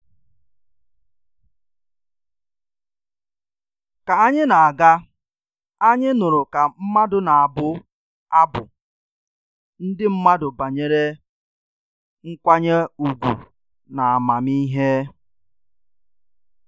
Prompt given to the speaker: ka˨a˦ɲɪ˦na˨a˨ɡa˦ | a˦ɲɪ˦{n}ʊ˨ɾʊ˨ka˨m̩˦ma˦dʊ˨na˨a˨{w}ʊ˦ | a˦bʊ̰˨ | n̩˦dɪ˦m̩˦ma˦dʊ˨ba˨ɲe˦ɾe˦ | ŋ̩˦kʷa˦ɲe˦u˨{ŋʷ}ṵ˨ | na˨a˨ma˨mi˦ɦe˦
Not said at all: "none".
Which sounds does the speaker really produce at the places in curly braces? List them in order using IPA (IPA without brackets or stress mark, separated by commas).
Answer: n, b, ɡʷ